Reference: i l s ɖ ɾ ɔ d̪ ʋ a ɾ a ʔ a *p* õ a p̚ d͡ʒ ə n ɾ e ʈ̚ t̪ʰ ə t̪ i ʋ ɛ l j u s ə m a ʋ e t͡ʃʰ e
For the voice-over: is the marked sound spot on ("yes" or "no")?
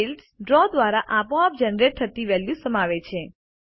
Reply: yes